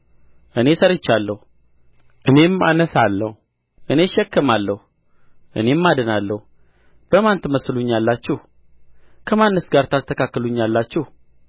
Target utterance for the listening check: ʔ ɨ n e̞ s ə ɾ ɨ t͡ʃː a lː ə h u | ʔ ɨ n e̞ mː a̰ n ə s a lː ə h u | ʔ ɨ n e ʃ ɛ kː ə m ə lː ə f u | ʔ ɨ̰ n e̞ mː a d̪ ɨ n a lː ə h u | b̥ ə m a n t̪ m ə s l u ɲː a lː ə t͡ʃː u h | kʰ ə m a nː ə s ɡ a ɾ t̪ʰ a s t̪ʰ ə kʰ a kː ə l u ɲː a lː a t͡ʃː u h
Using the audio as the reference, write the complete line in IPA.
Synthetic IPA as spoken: ʔ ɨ n e̞ s ə ɾ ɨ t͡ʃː a lː ə h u | ʔ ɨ n e̞ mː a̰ n ə s a lː ə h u | ʔ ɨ n e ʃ ɛ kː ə m a lː ə h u | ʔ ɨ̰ n e̞ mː a d̪ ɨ n a lː ə h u | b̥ ə m a n t̪ m ə s l u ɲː a lː a t͡ʃː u h | kʰ ə m a nː ə s ɡ a ɾ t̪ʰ a s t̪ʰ ə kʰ a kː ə l u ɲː a lː a t͡ʃː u h

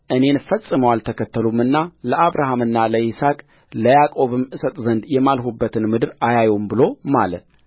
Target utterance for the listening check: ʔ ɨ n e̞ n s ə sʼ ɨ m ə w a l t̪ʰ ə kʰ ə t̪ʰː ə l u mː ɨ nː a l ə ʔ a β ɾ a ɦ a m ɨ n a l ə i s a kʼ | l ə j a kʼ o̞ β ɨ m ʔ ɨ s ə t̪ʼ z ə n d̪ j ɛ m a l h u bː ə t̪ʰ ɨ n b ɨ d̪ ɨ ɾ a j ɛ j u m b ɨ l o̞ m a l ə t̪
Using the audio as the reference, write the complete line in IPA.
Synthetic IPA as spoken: ʔ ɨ n e̞ n f ə sʼ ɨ m ə w a l t̪ʰ ə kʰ ə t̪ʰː ə l u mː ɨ nː a l ə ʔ a β ɾ a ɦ a m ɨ nː a l ə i s a kʼ | l ə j a kʼ o̞ β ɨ m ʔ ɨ s ə t̪ʼ z ə n d̪ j ɛ m a l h u bː ə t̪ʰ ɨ n m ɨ d̪ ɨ ɾ a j a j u m b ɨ l o̞ m a l ə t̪

